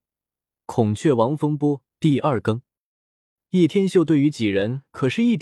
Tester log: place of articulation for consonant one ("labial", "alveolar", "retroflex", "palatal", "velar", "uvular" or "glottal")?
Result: velar